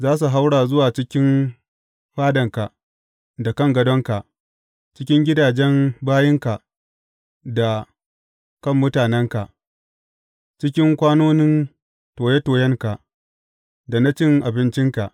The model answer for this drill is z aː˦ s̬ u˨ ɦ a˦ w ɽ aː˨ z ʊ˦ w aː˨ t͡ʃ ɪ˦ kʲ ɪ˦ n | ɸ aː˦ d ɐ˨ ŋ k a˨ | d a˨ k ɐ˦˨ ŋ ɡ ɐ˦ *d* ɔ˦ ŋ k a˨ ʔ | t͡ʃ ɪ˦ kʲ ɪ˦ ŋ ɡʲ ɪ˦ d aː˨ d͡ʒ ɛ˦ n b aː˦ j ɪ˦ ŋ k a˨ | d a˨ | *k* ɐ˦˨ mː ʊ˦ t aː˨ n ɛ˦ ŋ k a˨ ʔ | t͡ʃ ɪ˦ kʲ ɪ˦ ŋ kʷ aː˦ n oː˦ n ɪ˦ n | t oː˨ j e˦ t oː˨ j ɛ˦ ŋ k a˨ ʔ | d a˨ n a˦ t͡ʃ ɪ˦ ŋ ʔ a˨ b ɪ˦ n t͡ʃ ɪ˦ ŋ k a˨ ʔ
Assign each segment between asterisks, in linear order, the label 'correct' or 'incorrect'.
correct, correct

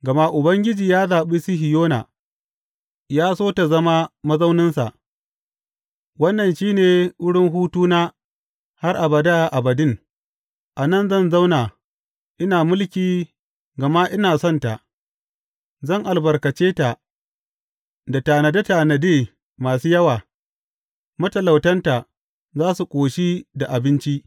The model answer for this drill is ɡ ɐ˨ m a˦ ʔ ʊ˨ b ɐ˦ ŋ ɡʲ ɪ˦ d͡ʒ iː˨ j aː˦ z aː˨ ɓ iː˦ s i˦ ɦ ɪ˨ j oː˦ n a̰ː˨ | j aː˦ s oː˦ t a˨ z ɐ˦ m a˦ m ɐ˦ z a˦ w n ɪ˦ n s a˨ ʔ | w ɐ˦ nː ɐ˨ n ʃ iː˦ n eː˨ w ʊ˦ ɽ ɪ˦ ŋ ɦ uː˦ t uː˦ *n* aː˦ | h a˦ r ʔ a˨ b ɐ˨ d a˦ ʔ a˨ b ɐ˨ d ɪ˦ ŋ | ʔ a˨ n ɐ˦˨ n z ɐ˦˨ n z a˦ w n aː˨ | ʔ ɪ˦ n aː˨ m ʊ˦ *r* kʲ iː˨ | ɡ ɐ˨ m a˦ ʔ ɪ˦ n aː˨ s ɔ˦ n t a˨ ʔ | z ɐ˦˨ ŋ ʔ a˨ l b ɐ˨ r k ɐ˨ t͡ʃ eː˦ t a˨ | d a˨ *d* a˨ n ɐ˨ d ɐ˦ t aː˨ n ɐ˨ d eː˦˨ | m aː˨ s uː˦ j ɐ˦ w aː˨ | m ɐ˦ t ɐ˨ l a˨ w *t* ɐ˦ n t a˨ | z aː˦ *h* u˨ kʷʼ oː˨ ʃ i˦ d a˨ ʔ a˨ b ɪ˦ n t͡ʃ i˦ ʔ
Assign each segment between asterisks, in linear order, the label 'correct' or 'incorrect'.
correct, incorrect: l, incorrect: t, correct, incorrect: s

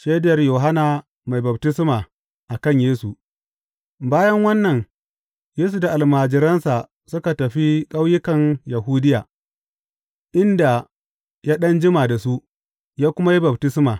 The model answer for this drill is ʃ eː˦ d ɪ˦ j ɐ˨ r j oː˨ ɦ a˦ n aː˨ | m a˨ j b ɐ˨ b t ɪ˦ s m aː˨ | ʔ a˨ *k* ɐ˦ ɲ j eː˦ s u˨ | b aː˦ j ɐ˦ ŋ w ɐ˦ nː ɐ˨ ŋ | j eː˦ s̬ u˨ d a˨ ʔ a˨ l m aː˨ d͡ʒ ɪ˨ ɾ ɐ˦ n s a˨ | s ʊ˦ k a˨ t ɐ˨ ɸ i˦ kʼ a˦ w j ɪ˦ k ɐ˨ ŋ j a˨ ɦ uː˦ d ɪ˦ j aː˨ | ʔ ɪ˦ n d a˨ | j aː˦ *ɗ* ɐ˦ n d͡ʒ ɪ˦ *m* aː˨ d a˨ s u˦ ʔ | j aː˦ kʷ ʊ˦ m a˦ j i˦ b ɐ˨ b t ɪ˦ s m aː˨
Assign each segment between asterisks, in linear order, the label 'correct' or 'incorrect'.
correct, correct, correct

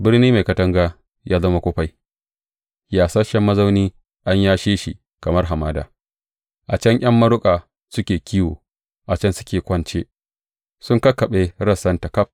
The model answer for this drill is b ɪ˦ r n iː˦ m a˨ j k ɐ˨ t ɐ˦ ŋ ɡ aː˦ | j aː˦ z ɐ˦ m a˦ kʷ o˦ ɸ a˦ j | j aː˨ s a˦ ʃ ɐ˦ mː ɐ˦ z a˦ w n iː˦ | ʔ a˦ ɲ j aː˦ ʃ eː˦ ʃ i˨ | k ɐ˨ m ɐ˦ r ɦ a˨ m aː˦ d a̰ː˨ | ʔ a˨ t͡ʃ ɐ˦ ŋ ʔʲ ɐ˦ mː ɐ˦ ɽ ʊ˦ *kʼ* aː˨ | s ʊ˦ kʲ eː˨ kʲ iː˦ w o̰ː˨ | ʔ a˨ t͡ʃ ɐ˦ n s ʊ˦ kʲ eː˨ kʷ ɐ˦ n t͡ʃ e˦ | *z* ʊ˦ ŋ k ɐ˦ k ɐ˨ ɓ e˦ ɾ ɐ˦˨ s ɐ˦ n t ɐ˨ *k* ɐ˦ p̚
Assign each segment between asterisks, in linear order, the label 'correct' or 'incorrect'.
correct, incorrect: s, correct

